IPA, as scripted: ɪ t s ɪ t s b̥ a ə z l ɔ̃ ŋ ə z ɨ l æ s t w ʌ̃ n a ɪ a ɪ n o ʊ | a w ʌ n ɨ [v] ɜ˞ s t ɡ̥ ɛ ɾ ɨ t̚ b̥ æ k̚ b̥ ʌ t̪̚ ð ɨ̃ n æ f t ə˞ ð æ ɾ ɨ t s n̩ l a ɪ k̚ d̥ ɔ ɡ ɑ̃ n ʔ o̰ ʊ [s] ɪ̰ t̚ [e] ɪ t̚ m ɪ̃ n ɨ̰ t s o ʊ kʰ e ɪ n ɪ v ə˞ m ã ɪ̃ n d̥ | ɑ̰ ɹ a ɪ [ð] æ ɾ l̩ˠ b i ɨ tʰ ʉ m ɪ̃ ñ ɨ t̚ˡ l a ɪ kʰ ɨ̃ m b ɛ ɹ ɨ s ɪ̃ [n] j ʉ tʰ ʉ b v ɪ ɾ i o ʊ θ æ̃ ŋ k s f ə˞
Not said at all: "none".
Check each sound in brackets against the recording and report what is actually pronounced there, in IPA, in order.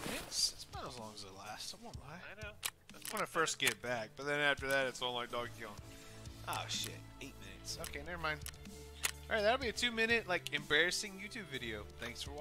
f, ʃ, e, ð, ŋ

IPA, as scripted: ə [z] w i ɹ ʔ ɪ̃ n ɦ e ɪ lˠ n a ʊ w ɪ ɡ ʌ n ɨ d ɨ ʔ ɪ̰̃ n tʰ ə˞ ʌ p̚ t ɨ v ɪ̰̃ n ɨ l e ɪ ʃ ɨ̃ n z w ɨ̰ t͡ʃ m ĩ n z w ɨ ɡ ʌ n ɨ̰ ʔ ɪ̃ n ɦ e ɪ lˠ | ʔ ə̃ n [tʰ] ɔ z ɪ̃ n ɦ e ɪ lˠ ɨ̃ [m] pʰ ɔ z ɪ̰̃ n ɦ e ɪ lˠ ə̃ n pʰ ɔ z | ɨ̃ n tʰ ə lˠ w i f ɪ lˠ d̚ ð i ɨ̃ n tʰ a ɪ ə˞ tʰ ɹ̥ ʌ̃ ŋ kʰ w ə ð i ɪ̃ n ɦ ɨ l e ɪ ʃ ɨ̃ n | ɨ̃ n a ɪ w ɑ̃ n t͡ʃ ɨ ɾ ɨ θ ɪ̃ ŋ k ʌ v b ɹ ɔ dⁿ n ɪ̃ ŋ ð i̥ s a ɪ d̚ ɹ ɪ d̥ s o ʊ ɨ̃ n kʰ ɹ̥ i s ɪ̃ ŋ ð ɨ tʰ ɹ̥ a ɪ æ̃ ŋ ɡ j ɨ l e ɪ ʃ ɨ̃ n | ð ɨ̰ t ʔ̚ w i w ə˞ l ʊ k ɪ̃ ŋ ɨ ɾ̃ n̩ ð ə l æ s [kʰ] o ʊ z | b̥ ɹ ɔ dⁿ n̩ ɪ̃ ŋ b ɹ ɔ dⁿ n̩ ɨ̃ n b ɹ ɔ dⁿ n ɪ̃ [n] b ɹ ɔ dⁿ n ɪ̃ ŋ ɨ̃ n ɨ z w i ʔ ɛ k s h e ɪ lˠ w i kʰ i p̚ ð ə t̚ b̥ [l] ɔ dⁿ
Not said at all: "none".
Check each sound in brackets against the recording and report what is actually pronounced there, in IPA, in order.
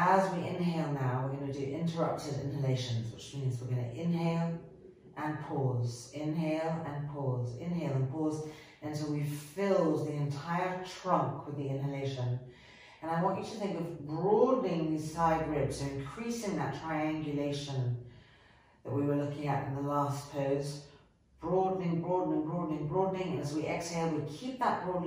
z, pʰ, n, pʰ, ŋ, ɹ

